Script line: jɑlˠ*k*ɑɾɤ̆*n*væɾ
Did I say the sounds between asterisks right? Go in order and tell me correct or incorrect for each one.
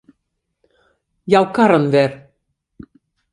correct, correct

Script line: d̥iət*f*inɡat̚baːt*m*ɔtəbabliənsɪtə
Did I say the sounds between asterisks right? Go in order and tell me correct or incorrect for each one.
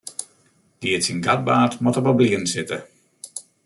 incorrect, correct

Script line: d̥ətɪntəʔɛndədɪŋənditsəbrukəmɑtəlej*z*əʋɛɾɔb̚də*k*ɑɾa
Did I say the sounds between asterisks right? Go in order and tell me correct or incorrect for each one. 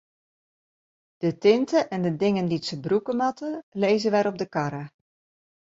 correct, correct

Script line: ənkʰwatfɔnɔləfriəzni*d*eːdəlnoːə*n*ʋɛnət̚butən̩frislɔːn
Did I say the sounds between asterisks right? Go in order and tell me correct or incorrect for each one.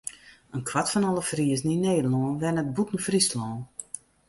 incorrect, correct

